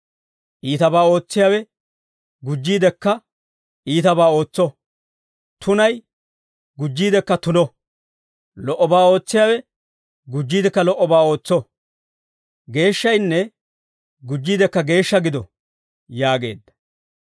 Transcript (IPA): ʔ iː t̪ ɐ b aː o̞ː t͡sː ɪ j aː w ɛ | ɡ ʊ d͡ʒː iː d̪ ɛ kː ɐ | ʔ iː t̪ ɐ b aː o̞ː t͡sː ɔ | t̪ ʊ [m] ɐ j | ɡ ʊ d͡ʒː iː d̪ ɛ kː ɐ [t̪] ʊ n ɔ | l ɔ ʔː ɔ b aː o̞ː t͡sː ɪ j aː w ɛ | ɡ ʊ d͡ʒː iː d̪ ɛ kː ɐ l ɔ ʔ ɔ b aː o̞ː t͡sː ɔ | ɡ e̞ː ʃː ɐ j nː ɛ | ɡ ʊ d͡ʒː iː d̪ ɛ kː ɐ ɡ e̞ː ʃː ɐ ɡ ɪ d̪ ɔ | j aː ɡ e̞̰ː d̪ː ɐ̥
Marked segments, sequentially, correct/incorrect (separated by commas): incorrect, correct